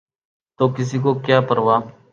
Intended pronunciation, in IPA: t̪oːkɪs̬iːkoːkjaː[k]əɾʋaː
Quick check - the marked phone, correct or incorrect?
incorrect: p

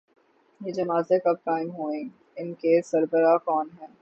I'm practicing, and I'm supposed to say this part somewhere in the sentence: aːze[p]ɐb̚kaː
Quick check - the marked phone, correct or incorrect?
incorrect: k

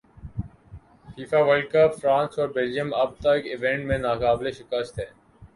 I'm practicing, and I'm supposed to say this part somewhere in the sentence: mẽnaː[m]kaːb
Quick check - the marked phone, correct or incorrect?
incorrect: none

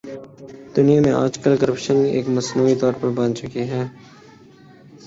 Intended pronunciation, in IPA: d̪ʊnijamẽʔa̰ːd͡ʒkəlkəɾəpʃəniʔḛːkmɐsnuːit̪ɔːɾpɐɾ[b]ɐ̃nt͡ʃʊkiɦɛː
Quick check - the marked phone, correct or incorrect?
correct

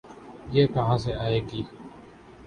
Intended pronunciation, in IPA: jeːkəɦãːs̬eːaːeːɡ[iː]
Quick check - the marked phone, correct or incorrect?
correct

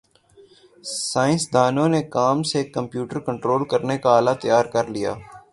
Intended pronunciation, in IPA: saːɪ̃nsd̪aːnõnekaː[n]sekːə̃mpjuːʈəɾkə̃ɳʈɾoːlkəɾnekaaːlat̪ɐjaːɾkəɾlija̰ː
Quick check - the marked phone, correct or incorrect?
incorrect: m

